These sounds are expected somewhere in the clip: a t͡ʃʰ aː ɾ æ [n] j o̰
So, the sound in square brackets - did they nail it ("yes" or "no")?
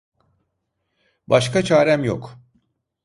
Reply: no